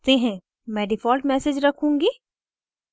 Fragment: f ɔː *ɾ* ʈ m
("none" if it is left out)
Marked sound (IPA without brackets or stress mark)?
l